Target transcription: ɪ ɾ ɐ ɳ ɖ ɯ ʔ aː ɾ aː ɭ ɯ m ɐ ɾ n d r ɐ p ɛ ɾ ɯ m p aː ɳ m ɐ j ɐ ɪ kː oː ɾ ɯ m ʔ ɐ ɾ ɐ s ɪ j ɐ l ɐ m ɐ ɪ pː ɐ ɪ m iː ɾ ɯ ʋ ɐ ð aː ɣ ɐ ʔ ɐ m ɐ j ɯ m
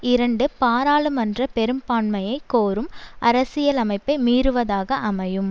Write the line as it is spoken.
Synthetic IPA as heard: ɪ ɾ ɐ ɳ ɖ ɯ p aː ɾ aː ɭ ɯ m ɐ n d r ɐ p ɛ ɾ ɯ m p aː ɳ m ɐ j ɐ ɪ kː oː ɾ ɯ m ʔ ɐ ɾ ɐ s ɪ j ɐ l ɐ m ɐ ɪ pː ɐ ɪ m iː ɾ ɯ ʋ ɐ ð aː ɣ ɐ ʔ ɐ m ɐ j ɯ m